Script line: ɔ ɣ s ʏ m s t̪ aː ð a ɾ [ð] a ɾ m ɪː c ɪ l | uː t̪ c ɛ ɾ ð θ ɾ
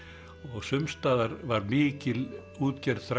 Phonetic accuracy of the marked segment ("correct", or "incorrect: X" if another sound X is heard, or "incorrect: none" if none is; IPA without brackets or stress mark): incorrect: v